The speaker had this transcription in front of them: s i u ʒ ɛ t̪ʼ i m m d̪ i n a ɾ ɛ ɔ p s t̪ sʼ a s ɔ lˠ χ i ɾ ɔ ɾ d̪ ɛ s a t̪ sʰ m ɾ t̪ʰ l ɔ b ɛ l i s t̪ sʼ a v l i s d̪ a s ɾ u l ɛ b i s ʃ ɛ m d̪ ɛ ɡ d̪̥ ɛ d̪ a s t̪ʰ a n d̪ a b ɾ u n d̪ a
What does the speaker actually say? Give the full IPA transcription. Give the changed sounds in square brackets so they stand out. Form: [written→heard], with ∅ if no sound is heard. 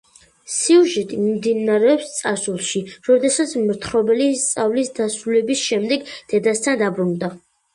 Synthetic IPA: s i u ʒ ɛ t̪ʼ i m m d̪ i n a ɾ ɛ ɔ p s t̪ sʼ a s [ɔ→u] lˠ [χ→ʃ] i ɾ ɔ [ɾ→∅] d̪ ɛ s a t̪ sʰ m ɾ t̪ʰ [l→ɾ] ɔ b ɛ l i s t̪ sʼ a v l i s d̪ a s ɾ u l ɛ b i s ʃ ɛ m d̪ ɛ ɡ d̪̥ ɛ d̪ a s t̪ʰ a n d̪ a b ɾ u n d̪ a